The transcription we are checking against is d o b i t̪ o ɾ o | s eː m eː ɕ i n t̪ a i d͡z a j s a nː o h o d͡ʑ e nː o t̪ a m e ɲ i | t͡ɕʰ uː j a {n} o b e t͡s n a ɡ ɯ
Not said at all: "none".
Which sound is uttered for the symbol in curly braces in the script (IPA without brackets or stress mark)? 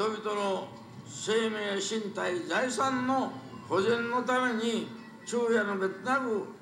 n